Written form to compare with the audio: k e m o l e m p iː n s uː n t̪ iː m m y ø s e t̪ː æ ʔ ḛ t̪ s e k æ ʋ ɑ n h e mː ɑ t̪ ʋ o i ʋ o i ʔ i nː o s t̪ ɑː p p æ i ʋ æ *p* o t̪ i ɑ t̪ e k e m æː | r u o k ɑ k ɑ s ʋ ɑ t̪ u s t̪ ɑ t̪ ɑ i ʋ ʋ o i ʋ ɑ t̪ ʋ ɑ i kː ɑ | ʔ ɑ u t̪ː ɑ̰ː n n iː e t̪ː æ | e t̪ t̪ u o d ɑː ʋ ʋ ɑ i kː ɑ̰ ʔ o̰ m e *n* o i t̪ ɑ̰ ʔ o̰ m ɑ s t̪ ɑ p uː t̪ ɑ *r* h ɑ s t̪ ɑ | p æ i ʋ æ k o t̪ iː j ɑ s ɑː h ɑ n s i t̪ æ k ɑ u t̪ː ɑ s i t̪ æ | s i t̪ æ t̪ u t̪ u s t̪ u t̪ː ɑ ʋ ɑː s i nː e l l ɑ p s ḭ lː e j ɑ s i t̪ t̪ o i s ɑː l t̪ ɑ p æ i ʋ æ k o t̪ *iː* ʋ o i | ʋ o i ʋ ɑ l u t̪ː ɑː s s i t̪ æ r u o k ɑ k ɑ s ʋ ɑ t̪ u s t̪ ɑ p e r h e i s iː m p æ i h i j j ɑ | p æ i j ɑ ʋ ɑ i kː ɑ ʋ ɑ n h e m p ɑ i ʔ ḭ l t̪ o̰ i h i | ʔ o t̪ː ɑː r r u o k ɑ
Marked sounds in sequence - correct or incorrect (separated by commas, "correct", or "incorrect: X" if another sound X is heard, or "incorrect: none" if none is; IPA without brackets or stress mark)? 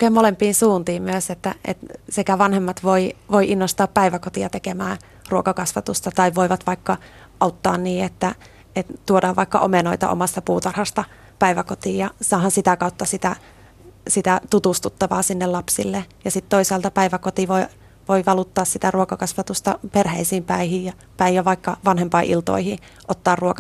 incorrect: k, correct, correct, incorrect: i